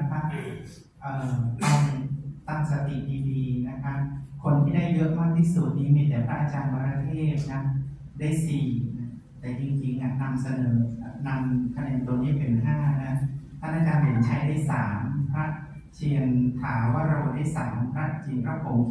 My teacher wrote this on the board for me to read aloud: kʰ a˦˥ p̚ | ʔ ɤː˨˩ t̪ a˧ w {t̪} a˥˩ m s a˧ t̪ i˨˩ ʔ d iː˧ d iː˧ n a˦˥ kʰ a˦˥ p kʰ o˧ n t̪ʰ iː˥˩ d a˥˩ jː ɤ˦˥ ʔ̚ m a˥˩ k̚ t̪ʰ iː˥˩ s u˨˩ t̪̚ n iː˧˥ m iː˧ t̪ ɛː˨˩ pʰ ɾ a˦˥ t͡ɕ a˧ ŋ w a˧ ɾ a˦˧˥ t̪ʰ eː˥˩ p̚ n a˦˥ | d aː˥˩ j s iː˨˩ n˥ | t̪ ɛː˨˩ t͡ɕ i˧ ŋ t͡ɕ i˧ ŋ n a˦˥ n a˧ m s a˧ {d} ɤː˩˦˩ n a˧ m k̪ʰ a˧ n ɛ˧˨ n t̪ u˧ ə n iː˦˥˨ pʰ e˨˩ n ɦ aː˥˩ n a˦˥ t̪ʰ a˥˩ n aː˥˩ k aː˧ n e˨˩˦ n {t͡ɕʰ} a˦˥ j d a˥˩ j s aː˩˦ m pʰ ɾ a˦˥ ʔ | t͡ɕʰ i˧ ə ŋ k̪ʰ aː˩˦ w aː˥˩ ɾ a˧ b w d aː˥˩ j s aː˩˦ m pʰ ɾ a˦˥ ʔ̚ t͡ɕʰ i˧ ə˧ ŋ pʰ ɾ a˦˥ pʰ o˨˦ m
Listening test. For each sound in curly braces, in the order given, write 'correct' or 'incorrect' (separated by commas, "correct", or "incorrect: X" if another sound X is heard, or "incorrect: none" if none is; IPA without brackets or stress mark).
correct, incorrect: n, correct